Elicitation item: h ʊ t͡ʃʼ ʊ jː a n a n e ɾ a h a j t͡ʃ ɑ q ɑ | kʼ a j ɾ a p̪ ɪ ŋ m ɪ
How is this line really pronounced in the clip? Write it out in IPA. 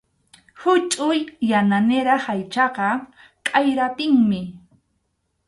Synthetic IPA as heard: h ʊ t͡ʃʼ ʊ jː a n a n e ɾ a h a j t͡ʃ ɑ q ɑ | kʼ a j ɾ a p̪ ɪ ŋ m ɪ

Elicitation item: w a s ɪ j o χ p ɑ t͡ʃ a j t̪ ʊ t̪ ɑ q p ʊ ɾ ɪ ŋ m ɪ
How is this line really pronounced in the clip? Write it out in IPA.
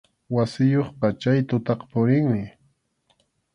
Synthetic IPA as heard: w a s ɪ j o χ p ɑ t͡ʃ a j t̪ ʊ t̪ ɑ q p ʊ ɾ ɪ ŋ m ɪ

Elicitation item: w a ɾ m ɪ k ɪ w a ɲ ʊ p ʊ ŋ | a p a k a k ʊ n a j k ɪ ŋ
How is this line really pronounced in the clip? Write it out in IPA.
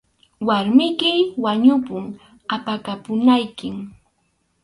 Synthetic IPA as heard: w a ɾ m ɪ k ɪ w a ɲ ʊ p ʊ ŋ | a p a k a p ʊ n a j k ɪ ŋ

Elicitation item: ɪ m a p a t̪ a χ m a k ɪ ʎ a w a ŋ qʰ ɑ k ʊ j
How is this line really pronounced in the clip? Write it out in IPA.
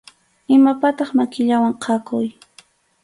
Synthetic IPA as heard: ɪ m a p a t̪ ɑ χ m a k ɪ ʎ a w a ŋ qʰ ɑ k ʊ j

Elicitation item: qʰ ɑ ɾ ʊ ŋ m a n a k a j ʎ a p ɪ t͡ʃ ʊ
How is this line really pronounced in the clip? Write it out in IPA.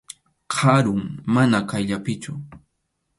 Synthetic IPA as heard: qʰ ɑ ɾ ʊ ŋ m a n a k a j ʎ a p ɪ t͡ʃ ʊ

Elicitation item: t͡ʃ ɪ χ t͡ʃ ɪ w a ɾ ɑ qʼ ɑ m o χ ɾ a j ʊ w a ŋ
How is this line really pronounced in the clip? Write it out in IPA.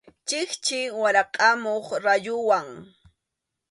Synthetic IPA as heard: t͡ʃ ɪ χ t͡ʃ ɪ w a ɾ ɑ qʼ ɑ m o χ ɾ a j ʊ w a ŋ

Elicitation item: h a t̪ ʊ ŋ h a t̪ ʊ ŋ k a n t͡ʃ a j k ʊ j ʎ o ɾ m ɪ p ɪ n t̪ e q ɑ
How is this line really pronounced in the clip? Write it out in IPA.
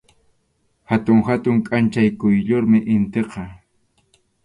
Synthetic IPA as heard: h a t̪ ʊ ŋ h a t̪ ʊ ŋ kʼ a n t͡ʃ a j k ʊ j ʎ o ɾ m ɪ ʔ ɪ n t̪ e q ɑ

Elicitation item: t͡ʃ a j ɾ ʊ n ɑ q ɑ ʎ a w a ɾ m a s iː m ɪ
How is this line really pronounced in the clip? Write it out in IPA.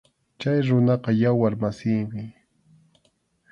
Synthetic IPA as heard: t͡ʃ a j ɾ ʊ n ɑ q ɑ j a w a ɾ m a s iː m ɪ

